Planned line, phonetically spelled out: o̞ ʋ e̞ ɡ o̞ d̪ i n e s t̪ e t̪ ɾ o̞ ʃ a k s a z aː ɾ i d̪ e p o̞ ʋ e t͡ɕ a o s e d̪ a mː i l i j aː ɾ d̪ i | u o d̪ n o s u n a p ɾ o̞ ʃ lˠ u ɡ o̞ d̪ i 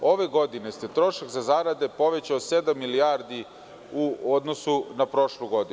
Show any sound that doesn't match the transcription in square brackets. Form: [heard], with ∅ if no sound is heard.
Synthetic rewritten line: o̞ ʋ e̞ ɡ o̞ d̪ i n e s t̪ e t̪ ɾ o̞ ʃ a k [z] a z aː ɾ [a] d̪ e p o̞ ʋ e t͡ɕ a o s e d̪ a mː i l i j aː ɾ d̪ i | u o d̪ n o s u n a p ɾ o̞ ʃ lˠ u ɡ o̞ d̪ i